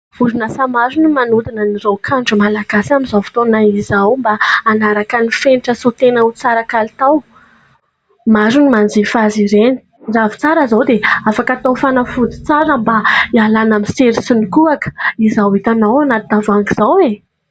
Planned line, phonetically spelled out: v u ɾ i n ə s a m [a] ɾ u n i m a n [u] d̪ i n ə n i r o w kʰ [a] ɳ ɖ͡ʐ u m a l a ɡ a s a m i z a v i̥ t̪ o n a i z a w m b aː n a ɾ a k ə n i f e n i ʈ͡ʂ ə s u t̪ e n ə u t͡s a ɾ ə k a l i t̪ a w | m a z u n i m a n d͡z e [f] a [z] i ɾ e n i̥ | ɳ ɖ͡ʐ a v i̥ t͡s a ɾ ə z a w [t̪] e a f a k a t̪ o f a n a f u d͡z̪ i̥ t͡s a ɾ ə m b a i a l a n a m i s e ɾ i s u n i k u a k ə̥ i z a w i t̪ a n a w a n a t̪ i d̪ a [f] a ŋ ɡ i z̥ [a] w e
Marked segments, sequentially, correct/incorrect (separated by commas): correct, correct, correct, correct, correct, incorrect, incorrect, correct